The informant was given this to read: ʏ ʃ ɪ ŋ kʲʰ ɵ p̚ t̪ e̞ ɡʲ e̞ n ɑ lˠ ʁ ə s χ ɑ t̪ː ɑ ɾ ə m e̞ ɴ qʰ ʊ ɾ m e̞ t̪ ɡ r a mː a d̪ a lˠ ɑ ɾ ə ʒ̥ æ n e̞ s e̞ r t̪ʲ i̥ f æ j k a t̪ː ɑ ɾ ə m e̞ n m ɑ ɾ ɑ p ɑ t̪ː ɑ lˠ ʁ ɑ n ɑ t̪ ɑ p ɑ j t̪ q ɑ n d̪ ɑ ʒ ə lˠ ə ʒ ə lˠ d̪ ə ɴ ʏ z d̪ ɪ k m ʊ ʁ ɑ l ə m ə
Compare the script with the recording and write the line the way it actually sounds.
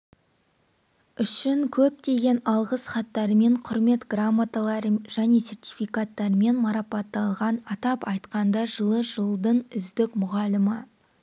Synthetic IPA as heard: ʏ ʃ ɪ ŋ kʲʰ ɵ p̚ t̪ e̞ ɡʲ e̞ n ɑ lˠ ʁ ə s χ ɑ t̪ː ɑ ɾ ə m e̞ ɴ qʰ ʊ ɾ m e̞ t̪ ɡ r a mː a t̪ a lˠ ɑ ɾ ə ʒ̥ æ n e̞ s e̞ r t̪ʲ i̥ f i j k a t̪ː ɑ ɾ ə m e̞ n m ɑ ɾ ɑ p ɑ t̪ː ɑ lˠ ʁ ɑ n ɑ t̪ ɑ p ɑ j t̪ q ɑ n d̪ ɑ ʒ ə lˠ ə ʒ ə lˠ d̪ ə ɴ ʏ z d̪ ɪ k m ʊ ʁ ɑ l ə m ə